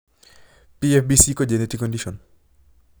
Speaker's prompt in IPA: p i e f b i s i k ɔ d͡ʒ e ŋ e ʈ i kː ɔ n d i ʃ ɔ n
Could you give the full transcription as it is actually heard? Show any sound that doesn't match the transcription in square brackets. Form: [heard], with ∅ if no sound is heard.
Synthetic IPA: p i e f b i s i k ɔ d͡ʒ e [n] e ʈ i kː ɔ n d i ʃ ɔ n